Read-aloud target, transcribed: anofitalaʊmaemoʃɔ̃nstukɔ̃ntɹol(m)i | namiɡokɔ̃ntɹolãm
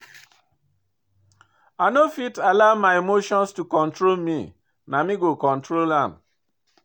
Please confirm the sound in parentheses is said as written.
yes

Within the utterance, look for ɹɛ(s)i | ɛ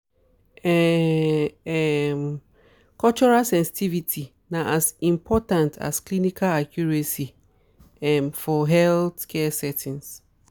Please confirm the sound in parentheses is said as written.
yes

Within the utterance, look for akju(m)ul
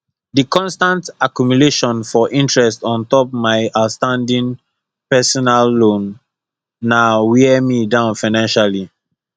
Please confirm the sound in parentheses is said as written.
yes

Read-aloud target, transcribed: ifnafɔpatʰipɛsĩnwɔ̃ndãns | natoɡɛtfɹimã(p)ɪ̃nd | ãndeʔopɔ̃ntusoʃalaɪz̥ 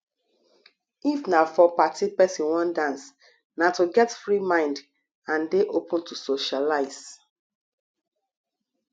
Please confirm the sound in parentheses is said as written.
no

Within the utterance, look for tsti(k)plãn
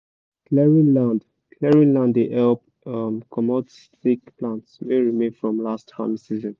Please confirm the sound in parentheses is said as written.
yes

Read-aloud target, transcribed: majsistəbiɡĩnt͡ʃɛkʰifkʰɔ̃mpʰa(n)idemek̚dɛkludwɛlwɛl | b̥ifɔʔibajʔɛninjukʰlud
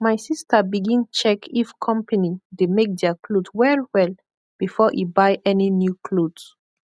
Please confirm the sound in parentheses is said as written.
yes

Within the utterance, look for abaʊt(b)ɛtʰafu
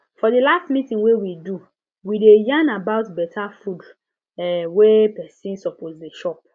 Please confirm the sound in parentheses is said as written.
yes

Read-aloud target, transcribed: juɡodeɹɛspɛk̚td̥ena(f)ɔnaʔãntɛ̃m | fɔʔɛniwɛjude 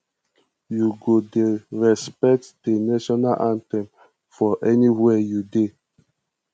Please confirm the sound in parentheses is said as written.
no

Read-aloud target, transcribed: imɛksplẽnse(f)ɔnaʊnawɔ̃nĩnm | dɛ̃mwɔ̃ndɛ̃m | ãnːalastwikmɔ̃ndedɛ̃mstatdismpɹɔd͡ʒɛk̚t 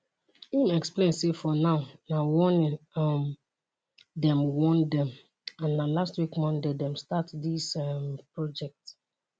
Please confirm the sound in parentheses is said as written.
yes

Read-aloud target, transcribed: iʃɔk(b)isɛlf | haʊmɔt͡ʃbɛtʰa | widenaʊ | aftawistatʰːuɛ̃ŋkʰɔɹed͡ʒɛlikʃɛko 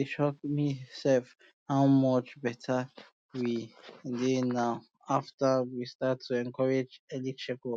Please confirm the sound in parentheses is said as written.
no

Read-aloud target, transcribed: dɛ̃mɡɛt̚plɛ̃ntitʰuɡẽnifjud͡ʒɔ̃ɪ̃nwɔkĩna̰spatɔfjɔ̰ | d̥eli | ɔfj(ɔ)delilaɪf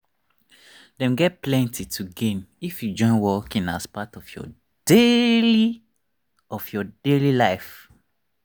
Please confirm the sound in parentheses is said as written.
yes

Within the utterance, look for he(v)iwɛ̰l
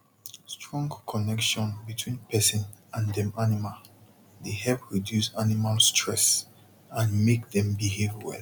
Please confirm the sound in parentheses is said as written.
yes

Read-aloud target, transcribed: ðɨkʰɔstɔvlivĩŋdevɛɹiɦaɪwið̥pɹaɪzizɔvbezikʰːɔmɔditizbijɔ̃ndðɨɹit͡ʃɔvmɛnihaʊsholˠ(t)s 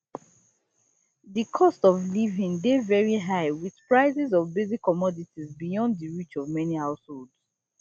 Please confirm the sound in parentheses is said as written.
no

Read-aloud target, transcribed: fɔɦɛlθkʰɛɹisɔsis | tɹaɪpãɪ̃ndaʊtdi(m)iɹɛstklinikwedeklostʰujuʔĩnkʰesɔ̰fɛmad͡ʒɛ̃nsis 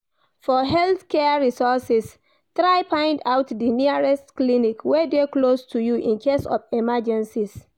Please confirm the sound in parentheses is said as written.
no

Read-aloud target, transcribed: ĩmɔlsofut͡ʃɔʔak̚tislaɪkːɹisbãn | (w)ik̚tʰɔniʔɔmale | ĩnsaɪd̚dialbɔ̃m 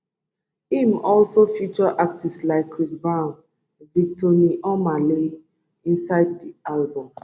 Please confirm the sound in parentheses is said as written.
no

